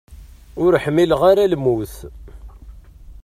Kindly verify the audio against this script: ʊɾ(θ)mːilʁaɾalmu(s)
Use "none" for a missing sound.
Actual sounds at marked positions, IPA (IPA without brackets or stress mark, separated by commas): ħ, θ